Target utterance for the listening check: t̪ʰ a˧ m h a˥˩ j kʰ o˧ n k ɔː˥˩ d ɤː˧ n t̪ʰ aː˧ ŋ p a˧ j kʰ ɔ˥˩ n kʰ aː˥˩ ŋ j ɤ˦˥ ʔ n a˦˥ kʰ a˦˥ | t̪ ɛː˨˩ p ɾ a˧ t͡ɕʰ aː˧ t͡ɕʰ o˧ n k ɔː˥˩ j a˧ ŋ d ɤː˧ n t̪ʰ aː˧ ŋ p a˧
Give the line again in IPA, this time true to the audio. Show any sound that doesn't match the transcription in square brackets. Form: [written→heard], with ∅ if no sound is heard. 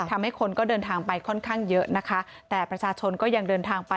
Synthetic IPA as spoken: t̪ʰ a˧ m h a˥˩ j kʰ o˧ n k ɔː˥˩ d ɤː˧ n t̪ʰ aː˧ ŋ p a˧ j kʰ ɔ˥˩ n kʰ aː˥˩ ŋ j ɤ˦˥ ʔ n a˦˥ kʰ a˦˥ | t̪ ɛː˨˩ p ɾ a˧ t͡ɕʰ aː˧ t͡ɕʰ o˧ n k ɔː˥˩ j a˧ ŋ d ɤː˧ n t̪ʰ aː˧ ŋ p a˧